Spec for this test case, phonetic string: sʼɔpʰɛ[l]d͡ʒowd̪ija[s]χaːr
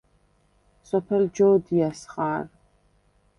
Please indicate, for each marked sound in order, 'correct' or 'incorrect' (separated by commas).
correct, correct